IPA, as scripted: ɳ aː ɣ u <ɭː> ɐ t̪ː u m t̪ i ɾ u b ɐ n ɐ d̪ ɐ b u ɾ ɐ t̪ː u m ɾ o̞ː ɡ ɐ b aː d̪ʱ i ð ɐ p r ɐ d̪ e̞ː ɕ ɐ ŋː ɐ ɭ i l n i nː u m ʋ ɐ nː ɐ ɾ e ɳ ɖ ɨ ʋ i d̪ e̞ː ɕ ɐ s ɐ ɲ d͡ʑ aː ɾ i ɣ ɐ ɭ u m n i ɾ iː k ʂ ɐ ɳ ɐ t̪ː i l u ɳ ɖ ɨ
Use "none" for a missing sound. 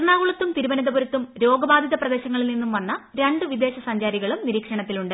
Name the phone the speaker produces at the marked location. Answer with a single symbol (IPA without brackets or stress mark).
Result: ɭ